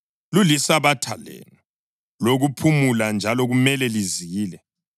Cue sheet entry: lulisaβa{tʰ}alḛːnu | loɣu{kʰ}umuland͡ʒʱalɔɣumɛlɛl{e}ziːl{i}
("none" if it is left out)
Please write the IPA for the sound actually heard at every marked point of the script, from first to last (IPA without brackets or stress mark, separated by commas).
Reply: tʰ, pʰ, i, ɛ